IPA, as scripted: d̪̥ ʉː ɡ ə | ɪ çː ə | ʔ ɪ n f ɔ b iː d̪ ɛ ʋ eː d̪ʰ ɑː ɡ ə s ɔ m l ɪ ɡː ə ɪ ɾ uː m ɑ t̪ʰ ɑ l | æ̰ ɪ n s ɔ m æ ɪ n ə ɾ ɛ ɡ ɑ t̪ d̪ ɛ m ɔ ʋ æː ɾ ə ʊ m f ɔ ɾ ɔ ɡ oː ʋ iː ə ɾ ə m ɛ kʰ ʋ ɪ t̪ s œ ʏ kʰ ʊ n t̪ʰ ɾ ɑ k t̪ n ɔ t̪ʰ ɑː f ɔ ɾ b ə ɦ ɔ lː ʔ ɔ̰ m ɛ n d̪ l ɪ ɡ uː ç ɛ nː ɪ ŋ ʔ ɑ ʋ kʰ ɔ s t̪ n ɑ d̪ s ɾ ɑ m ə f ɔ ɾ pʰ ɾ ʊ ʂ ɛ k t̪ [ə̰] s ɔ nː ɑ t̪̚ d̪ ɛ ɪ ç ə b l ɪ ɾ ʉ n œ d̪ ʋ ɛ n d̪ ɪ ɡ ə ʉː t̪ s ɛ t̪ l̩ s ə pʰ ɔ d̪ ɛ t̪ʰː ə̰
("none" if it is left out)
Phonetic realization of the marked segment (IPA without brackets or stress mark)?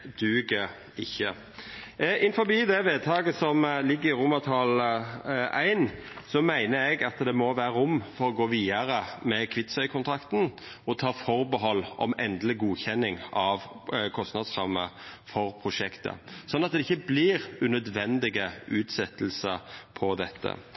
ə̰